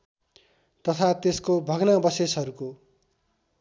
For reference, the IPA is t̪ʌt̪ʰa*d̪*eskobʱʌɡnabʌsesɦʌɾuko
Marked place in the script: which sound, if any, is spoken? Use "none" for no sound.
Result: t̪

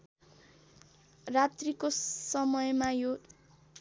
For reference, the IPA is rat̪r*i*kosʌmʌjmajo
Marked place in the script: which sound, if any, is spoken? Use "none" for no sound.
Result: i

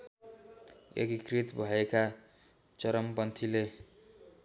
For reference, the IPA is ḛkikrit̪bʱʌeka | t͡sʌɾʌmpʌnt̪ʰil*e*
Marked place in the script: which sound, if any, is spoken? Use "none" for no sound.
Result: e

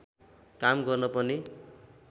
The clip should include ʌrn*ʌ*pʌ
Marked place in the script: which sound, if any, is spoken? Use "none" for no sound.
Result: ʌ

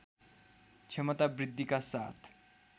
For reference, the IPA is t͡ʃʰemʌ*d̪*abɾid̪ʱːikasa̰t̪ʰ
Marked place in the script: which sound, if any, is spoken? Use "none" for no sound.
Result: t̪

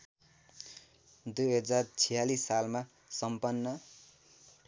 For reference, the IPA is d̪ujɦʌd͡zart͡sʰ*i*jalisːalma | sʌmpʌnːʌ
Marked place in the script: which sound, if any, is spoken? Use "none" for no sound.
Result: i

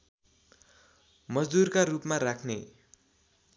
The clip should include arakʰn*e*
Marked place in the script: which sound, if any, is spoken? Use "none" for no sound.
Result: e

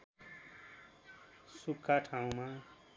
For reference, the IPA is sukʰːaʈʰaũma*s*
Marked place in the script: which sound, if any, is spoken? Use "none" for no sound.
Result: none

